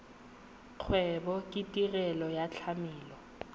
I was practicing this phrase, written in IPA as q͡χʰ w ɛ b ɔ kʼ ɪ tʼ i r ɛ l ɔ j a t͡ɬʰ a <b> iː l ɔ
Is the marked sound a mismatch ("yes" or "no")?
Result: yes